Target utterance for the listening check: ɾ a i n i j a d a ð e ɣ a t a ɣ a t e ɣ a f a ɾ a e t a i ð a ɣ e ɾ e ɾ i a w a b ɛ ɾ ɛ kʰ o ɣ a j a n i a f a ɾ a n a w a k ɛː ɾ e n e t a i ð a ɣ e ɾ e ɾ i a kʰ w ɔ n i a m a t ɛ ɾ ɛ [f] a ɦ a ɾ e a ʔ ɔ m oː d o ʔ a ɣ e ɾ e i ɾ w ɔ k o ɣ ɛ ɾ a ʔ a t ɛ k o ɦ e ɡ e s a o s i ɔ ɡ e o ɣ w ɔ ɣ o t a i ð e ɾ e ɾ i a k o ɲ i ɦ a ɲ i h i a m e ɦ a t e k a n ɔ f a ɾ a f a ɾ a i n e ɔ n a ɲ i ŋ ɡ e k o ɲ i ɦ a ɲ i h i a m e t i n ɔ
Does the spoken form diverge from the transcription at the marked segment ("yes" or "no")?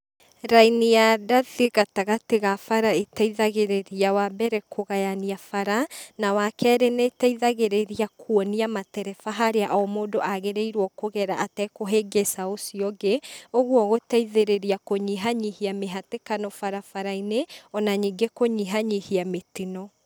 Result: no